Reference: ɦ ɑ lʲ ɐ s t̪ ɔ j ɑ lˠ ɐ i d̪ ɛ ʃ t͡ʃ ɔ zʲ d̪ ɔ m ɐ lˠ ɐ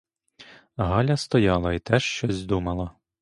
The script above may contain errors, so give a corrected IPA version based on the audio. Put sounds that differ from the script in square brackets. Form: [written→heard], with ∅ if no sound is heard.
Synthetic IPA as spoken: ɦ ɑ lʲ ɐ s t̪ ɔ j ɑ lˠ ɐ i [d̪→t̪] ɛ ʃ t͡ʃ ɔ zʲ d̪ [ɔ→u] m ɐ lˠ ɐ